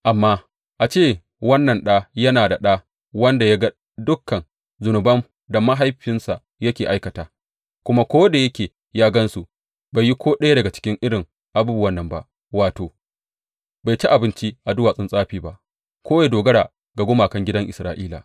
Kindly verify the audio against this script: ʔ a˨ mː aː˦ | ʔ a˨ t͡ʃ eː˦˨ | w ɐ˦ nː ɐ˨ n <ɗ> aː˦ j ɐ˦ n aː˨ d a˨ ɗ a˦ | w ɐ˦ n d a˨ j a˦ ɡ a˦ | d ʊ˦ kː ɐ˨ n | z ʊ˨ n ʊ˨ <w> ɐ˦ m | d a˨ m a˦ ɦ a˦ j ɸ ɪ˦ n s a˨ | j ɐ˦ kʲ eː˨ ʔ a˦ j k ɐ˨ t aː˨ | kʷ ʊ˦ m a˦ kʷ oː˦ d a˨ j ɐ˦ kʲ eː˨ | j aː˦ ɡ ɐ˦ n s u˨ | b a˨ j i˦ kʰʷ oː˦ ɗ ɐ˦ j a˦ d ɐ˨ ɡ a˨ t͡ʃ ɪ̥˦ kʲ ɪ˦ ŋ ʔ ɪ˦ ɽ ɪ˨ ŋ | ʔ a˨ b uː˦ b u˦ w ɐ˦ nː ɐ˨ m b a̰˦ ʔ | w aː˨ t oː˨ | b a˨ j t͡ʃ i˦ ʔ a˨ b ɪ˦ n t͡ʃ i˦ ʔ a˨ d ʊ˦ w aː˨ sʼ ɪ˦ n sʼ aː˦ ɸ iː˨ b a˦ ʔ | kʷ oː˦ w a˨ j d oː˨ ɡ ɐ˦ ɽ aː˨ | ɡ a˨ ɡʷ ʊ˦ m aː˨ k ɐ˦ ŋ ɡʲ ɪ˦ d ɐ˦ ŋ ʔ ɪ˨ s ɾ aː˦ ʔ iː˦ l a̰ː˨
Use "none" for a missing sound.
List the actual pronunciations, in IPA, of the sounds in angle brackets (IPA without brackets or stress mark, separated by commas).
ɗ, b